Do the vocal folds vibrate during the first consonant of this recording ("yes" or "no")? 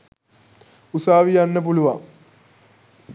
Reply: no